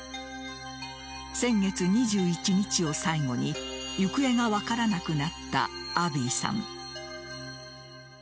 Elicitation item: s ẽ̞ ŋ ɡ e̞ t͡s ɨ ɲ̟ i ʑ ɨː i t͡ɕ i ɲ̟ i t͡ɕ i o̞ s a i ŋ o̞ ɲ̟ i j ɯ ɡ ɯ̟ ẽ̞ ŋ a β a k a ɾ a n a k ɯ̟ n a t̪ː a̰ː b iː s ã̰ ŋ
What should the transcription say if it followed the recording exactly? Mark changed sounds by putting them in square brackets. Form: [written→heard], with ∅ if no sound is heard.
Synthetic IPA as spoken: s ẽ̞ ŋ ɡ e̞ t͡s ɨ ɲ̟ i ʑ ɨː i t͡ɕ i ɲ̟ i t͡ɕ i o̞ s a i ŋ o̞ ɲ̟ i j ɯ [ɡ→k] ɯ̟ [ẽ̞→e̞] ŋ a β a k a ɾ a n a k ɯ̟ n a t̪ː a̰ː b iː s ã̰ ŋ